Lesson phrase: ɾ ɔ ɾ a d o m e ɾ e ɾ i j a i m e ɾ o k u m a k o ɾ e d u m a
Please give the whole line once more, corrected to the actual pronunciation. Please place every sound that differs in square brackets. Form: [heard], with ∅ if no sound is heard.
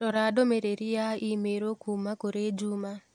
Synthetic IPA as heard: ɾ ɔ ɾ a d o m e ɾ e ɾ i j a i m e ɾ o k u m a k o ɾ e [d͡ʒ] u m a